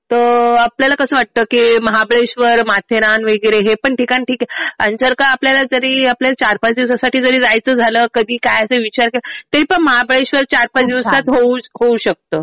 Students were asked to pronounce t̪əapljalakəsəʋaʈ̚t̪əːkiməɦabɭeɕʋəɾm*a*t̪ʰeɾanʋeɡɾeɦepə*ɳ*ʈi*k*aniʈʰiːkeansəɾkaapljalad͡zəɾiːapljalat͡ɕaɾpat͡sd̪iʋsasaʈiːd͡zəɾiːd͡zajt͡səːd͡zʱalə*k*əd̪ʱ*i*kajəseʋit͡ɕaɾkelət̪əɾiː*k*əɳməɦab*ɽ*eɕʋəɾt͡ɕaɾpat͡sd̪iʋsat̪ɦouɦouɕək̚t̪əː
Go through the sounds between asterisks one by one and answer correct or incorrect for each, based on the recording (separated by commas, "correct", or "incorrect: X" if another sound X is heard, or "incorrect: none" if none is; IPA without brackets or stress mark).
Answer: correct, correct, correct, correct, incorrect: iː, incorrect: p, incorrect: ɭ